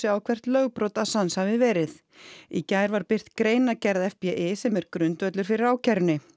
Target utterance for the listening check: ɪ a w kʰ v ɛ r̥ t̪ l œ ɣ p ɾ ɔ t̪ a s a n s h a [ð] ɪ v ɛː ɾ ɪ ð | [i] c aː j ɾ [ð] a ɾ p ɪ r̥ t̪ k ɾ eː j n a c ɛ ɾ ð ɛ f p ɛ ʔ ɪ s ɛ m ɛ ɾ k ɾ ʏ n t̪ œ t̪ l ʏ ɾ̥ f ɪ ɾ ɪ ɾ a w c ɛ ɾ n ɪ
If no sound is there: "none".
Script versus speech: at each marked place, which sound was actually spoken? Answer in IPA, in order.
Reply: v, i, v

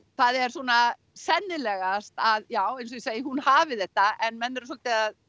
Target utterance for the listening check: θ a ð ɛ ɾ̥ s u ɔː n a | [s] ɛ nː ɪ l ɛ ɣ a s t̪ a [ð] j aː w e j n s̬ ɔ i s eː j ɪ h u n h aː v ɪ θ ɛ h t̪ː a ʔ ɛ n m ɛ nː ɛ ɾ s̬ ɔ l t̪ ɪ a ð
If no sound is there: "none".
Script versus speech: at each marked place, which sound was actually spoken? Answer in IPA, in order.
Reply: s, ð

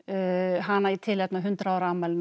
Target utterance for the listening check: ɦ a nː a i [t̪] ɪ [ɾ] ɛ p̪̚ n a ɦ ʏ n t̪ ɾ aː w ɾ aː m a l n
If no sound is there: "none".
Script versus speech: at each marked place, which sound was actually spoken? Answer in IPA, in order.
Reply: t̪ʰ, l

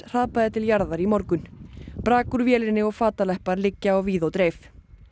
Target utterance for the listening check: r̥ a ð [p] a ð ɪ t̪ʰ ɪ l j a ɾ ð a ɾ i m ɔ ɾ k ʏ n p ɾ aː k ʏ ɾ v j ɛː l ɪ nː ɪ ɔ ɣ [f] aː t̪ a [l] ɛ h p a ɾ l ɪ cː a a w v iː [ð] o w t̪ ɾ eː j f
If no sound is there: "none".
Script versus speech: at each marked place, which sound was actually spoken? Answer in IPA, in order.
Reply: p, f, l, ð

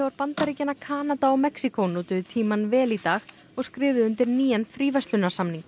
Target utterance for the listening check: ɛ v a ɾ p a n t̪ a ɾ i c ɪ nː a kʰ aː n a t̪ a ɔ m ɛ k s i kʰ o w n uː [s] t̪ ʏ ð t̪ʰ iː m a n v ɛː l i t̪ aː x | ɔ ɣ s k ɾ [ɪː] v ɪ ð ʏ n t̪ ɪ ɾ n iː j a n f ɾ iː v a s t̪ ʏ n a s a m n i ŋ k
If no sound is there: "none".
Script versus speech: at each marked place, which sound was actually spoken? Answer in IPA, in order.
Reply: none, ɪː

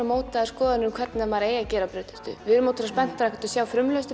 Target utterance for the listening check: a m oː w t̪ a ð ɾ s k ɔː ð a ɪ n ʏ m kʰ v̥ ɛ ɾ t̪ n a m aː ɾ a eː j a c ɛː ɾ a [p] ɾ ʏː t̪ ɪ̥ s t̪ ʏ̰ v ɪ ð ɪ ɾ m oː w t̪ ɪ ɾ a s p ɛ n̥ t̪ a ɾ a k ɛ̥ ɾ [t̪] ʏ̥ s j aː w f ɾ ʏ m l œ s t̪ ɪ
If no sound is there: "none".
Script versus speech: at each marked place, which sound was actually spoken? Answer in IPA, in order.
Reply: p, t̪

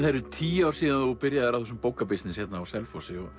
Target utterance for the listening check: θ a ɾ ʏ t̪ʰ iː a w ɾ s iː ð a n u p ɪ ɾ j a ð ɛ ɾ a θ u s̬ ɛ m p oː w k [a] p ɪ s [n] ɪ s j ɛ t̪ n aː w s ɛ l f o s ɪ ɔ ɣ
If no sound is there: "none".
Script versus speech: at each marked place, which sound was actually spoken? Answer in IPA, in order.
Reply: a, n

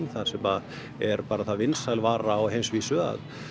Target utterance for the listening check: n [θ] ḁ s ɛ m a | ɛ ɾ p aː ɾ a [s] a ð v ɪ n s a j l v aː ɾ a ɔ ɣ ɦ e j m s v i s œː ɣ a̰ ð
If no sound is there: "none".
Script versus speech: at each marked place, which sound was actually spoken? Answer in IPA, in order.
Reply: θ, θ

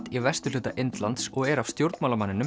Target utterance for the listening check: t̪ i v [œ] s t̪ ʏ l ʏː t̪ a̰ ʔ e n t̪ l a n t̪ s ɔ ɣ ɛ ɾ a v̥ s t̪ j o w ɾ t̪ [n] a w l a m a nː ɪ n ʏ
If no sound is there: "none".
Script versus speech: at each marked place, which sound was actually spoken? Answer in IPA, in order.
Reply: ɛ, m

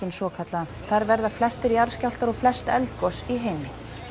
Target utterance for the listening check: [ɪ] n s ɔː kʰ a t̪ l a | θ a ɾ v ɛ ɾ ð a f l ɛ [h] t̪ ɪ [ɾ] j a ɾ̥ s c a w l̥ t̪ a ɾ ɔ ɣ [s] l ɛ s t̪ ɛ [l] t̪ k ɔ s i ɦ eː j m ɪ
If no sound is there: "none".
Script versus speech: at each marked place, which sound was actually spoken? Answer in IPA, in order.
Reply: ɪ, s, ɾ, f, l

